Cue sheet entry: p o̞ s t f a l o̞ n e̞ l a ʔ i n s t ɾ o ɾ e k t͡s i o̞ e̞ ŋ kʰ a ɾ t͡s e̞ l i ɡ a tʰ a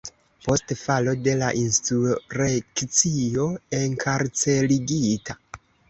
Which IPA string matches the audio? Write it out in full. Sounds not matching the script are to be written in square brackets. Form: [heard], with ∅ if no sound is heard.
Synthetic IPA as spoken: p o̞ s t f a l o̞ [d] e̞ l a ʔ i n s t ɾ [u] ɾ e k t͡s i o̞ e̞ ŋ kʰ a ɾ t͡s e̞ l i ɡ [i] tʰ a